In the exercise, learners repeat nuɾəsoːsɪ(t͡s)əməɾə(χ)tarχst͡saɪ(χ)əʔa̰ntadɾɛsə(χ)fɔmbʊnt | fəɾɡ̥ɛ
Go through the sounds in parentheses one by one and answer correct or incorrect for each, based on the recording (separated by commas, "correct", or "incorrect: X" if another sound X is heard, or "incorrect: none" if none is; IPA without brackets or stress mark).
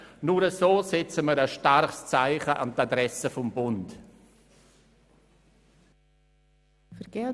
correct, incorrect: ʃ, correct, incorrect: none